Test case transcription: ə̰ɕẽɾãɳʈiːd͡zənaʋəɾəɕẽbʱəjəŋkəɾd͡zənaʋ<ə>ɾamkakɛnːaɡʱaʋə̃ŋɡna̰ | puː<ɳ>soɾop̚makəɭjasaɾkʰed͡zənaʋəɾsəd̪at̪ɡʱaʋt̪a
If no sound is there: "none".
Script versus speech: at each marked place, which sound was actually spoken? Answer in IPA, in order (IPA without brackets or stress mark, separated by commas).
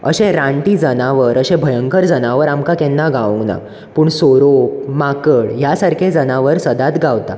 ə, ɳ